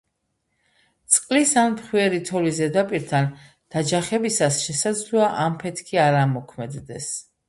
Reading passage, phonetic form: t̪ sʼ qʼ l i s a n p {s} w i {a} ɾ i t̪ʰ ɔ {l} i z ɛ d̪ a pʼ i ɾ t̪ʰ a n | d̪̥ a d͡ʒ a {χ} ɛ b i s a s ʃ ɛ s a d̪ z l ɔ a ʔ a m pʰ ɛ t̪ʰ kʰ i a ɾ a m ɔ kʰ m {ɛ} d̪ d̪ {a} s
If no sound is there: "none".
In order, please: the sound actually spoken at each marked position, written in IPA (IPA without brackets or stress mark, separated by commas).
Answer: χ, ɛ, l, χ, ɛ, ɛ